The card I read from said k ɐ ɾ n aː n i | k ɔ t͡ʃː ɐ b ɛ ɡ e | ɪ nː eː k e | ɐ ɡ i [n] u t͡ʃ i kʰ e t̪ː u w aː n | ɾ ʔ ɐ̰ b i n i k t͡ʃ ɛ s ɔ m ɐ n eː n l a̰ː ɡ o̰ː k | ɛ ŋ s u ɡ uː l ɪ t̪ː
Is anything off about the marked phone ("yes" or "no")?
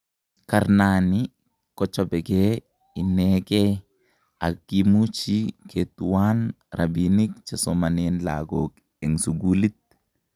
yes